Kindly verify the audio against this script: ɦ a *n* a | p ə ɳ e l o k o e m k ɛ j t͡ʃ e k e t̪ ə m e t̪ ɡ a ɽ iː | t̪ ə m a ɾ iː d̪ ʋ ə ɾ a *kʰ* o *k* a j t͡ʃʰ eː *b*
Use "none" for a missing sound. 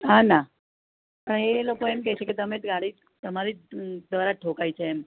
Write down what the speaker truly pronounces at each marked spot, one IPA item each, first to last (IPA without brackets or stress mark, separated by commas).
n, ʈʰ, k, m